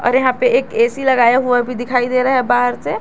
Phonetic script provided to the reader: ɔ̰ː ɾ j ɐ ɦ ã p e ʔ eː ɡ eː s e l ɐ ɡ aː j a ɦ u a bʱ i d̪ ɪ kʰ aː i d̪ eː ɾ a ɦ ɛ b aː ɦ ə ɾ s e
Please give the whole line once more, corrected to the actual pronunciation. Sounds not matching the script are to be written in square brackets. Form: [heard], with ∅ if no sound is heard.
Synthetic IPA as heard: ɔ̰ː ɾ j ɐ ɦ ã p e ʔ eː [k] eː s [i] l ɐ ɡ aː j a ɦ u a bʱ i d̪ ɪ kʰ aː i d̪ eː ɾ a ɦ ɛ b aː ɦ ə ɾ s e